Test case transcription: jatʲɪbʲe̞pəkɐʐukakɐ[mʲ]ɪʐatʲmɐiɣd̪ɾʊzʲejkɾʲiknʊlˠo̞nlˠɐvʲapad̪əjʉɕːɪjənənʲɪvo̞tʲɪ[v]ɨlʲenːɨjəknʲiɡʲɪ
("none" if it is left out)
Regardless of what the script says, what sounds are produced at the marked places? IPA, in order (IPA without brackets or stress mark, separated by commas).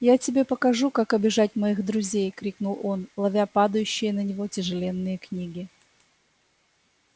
bʲ, ʐ